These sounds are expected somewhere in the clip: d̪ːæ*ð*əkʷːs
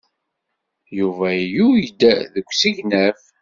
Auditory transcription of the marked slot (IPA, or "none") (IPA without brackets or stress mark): ð